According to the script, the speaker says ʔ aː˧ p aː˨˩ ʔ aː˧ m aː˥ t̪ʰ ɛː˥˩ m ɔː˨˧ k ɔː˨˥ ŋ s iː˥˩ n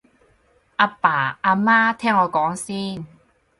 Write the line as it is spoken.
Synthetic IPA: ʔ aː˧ p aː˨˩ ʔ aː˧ m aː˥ t̪ʰ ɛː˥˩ ŋ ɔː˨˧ k ɔː˨˥ ŋ s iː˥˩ n